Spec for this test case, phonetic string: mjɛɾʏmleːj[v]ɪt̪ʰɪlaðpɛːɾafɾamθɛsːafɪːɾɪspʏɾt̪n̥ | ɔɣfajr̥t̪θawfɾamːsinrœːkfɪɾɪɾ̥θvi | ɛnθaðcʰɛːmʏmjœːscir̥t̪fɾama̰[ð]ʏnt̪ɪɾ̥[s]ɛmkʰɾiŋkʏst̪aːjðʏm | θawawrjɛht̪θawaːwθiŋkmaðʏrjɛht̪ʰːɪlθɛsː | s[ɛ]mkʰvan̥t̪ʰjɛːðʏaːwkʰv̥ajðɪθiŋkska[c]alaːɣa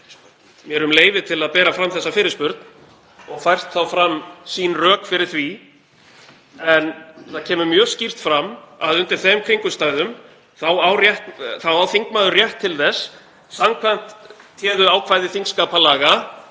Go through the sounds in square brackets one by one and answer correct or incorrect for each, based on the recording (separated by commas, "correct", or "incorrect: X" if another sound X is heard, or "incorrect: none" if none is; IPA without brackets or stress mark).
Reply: correct, correct, incorrect: θ, incorrect: a, incorrect: p